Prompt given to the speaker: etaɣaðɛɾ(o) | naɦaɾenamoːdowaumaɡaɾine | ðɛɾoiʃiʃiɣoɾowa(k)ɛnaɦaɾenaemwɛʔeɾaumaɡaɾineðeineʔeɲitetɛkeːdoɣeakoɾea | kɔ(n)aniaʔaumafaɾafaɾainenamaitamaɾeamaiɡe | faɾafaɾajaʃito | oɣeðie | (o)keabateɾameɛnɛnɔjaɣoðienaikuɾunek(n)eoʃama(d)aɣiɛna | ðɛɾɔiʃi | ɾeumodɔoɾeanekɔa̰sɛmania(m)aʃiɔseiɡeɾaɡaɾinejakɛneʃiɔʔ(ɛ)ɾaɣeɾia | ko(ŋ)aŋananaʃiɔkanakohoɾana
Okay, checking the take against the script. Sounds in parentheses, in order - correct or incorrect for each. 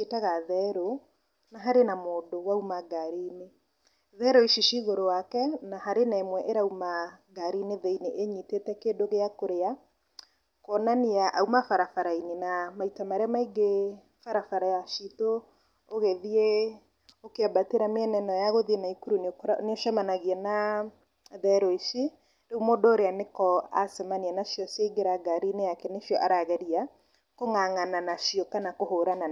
correct, correct, correct, correct, correct, incorrect, incorrect, incorrect, correct

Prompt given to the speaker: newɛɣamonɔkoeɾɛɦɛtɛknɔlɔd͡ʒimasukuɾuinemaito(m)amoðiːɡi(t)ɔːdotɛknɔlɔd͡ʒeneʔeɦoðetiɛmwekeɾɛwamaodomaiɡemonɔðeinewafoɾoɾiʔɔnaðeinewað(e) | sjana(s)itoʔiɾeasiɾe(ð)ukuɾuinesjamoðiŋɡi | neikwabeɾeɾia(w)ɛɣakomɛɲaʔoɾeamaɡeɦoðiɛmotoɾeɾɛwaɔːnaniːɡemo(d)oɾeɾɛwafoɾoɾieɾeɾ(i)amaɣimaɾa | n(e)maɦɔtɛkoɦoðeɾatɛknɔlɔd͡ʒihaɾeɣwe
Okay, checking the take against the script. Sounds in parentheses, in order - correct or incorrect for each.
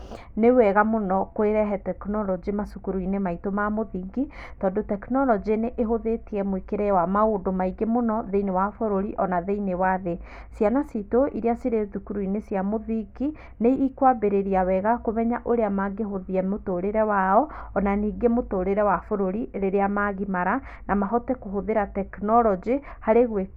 correct, correct, correct, correct, correct, correct, incorrect, incorrect, incorrect

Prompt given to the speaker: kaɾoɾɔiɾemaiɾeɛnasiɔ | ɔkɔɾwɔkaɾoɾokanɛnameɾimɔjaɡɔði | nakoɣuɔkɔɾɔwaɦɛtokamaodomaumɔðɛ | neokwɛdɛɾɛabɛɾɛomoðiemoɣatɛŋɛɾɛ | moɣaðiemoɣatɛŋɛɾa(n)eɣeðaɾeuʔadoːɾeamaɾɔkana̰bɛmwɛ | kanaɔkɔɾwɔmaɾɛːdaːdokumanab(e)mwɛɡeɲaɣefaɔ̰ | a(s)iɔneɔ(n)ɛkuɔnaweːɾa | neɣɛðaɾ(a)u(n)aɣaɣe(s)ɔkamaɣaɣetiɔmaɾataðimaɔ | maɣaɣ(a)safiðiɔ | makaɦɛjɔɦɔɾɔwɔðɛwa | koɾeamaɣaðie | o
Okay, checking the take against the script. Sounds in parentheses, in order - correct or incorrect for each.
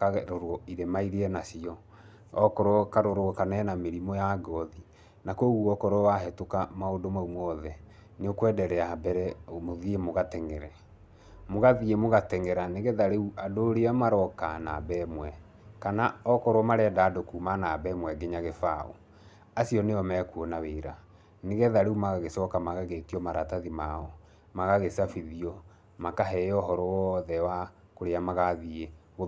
correct, incorrect, correct, incorrect, incorrect, incorrect, correct, incorrect

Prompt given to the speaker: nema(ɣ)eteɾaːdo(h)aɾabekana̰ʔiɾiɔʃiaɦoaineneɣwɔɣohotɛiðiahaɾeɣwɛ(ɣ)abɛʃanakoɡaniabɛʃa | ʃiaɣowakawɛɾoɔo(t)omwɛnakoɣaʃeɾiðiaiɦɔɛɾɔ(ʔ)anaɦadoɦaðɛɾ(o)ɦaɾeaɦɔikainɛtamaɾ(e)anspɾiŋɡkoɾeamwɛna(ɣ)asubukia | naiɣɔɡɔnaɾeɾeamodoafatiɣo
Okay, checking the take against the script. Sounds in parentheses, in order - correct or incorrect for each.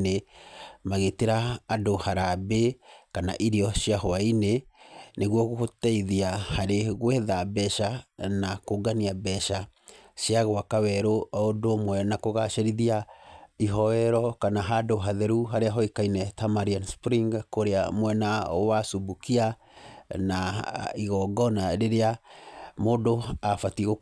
correct, correct, incorrect, incorrect, incorrect, incorrect, incorrect, incorrect

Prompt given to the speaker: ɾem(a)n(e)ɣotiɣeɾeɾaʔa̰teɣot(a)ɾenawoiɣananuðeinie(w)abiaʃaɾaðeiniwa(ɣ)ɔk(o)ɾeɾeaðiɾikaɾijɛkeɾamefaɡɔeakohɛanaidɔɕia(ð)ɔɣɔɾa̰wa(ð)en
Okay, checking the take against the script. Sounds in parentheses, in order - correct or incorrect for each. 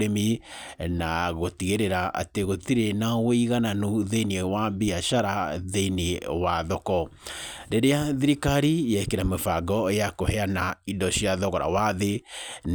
incorrect, incorrect, incorrect, correct, incorrect, incorrect, correct, correct

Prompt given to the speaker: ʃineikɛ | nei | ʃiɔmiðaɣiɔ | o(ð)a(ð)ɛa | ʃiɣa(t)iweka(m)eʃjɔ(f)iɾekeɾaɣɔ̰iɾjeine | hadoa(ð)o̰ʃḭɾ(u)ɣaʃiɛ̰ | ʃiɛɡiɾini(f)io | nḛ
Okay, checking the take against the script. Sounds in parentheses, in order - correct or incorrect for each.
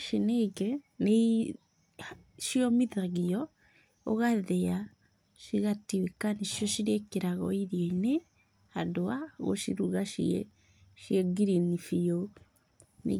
incorrect, correct, correct, incorrect, incorrect, incorrect, correct, correct

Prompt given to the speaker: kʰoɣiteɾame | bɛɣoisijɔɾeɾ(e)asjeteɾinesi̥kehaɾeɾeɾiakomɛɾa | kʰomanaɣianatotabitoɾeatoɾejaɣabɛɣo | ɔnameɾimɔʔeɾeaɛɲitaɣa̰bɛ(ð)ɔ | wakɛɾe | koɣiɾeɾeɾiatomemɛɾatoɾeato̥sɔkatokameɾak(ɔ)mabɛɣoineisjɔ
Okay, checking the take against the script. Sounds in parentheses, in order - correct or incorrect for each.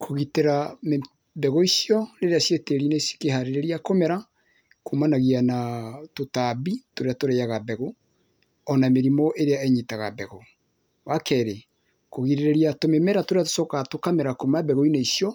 correct, incorrect, incorrect

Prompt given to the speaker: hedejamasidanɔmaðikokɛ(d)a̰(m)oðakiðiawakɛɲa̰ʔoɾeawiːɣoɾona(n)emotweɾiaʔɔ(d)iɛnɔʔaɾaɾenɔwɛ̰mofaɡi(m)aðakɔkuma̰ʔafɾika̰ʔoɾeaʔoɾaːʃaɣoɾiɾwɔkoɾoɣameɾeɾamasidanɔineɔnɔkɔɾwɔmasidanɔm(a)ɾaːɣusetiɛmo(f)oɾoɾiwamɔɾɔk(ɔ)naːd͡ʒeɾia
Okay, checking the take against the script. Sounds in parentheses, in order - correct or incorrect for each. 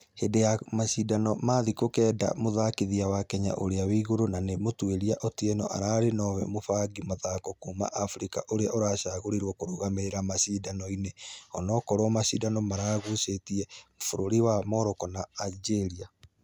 correct, correct, correct, incorrect, correct, correct, correct, correct

